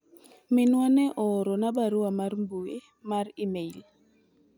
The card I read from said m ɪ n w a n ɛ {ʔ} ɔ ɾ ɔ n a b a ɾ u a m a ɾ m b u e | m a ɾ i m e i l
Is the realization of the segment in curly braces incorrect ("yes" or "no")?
no